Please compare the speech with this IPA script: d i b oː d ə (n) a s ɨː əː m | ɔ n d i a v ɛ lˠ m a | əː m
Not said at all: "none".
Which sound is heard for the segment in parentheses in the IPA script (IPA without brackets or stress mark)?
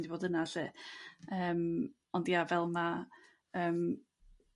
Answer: n